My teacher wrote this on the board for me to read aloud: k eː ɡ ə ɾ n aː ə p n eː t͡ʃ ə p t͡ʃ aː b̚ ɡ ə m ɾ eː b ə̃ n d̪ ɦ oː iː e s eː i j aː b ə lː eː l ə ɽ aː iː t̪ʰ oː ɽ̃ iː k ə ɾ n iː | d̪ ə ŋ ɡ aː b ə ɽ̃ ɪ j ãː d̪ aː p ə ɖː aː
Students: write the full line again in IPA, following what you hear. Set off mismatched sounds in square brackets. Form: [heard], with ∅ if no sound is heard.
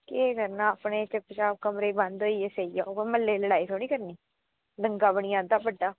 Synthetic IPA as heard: k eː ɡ ə ɾ n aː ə p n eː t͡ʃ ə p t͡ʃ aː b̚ [k] ə m ɾ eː b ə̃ n d̪ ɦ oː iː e s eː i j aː [m] ə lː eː l ə ɽ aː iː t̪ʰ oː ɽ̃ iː k ə ɾ n iː | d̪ ə ŋ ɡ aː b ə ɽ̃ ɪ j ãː d̪ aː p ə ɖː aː